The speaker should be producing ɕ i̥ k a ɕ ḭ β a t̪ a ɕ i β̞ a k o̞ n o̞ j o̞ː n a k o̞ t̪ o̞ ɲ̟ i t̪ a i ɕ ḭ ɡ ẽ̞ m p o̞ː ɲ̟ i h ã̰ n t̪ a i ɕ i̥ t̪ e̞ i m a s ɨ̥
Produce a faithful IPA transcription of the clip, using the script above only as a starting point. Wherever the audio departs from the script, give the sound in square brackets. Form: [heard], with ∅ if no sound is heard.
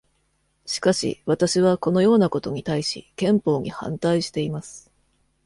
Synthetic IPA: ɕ i̥ k a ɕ ḭ β a t̪ a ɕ i β̞ a k o̞ n o̞ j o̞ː n a k o̞ t̪ o̞ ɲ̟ i t̪ a i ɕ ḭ [k] ẽ̞ m p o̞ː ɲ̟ i h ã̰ n t̪ a i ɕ i̥ t̪ e̞ i m a s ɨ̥